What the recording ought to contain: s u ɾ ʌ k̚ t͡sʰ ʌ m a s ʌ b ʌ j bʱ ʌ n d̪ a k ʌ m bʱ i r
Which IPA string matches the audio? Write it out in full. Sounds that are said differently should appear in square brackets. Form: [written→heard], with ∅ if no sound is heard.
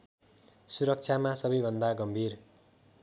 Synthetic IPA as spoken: s u ɾ ʌ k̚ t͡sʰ [ʌ→a] m a s ʌ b ʌ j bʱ ʌ n d̪ a [k→ɡ] ʌ m bʱ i r